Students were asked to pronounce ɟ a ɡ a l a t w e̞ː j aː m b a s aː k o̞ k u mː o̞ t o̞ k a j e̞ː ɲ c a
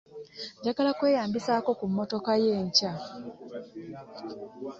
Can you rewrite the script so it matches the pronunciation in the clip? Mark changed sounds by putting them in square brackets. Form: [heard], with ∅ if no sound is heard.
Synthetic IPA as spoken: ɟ a ɡ a l a [k] w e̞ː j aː m b [i] s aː k o̞ k u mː o̞ t o̞ k a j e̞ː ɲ c a